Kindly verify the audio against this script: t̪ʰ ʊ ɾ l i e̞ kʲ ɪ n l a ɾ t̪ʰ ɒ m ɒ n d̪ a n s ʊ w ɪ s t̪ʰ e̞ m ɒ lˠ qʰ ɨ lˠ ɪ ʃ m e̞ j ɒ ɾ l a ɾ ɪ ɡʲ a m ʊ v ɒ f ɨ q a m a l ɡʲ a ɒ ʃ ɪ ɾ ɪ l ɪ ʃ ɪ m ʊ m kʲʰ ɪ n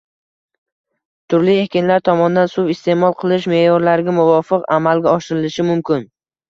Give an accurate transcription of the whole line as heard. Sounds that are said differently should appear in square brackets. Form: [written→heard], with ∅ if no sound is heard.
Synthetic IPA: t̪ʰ ʊ ɾ l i e̞ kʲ ɪ n l a ɾ t̪ʰ ɒ m ɒ n d̪ a n s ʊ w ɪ s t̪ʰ e̞ m ɒ lˠ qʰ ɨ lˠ ɪ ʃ m e̞ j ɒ ɾ l a ɾ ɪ ɡʲ a m ʊ v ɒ f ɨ q a m a l ɡʲ a ɒ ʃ ɪ ɾ ɪ l ɪ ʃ ɪ m ʊ m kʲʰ ɪ n